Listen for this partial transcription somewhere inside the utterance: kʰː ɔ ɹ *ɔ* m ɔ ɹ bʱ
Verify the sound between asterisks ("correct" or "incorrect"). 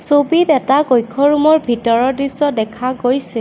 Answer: incorrect